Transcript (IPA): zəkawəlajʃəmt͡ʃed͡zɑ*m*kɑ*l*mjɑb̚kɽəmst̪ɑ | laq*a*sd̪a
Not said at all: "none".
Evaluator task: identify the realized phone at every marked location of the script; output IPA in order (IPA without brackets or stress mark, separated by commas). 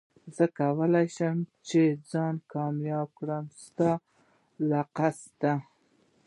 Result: n, none, a